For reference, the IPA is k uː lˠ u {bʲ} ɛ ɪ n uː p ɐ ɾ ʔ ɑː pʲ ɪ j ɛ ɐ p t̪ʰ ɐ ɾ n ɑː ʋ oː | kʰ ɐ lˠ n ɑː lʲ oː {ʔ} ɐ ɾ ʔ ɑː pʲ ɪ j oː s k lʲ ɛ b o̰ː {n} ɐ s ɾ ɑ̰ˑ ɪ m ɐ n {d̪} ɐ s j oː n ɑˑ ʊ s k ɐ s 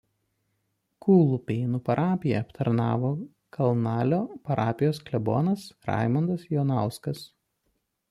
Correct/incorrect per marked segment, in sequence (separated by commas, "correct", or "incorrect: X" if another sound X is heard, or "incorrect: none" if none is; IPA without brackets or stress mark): incorrect: pʲ, incorrect: p, correct, correct